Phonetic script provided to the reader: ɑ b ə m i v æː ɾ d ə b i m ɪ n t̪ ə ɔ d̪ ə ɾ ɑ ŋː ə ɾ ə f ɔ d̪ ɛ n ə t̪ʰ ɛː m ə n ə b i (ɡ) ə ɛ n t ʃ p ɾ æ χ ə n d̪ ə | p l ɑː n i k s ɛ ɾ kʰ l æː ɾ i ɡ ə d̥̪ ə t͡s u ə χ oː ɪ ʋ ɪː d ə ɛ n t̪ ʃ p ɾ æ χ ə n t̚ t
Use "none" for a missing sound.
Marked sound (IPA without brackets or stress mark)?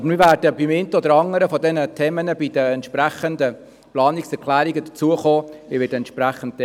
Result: d